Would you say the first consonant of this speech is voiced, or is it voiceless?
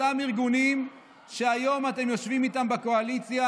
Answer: voiced